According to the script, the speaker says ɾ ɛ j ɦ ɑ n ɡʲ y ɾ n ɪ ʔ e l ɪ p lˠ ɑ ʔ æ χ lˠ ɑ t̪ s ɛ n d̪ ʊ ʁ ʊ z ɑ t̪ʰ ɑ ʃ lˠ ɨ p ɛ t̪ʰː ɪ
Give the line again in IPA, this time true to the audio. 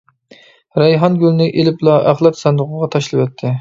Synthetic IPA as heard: ɾ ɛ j ɦ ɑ n ɡʲ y l n ɪ ʔ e l ɪ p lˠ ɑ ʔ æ χ lˠ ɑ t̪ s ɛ n d̪ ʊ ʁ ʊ ʁ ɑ t̪ʰ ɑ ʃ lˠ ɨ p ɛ t̪ʰː ɪ